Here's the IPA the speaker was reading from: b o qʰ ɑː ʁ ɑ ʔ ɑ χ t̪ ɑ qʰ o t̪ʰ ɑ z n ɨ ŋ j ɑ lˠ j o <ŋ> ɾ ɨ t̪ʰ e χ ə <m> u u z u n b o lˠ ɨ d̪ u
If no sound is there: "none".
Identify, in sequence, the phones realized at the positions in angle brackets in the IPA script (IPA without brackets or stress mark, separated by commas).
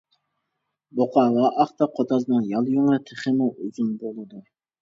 ŋ, m